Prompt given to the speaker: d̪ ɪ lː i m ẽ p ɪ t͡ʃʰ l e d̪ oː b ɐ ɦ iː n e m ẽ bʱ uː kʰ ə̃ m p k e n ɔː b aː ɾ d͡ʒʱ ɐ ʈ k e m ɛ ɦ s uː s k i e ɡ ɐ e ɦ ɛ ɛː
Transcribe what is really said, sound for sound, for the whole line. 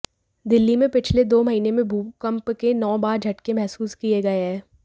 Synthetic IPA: d̪ ɪ lː i m ẽ p ɪ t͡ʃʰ l e d̪ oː m ɐ ɦ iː n e m ẽ bʱ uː k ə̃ m p k e n ɔː b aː ɾ d͡ʒʱ ɐ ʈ k e m ɛ ɦ s uː s k i e ɡ ɐ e ɦ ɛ ɛː